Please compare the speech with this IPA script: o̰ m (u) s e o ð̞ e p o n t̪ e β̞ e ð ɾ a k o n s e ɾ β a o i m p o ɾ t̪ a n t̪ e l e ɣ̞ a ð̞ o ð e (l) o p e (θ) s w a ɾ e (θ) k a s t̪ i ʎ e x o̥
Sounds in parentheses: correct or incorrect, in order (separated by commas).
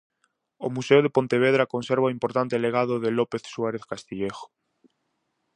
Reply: correct, correct, correct, correct